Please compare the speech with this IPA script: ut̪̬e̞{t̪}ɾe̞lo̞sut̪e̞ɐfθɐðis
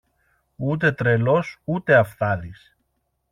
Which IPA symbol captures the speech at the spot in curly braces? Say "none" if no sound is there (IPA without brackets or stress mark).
t̪